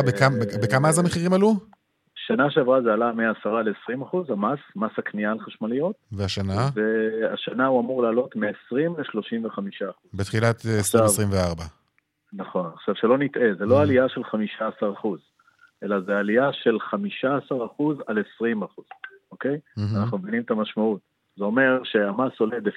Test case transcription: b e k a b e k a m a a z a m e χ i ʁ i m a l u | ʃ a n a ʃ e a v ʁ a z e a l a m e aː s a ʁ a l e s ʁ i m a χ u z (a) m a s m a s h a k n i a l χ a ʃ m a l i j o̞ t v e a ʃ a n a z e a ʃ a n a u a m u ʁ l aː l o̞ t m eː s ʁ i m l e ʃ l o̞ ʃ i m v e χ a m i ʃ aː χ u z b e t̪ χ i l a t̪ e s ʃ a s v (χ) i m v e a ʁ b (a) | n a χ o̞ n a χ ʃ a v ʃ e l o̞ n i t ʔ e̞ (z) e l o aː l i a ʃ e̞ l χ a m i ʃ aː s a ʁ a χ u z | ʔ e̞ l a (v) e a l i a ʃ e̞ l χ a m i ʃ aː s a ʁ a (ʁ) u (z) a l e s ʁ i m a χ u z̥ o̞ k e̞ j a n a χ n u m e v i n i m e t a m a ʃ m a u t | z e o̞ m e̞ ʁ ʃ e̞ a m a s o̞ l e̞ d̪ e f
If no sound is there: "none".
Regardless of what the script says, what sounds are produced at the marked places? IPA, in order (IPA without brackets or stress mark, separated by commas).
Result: a, ʁ, a, z, z, χ, z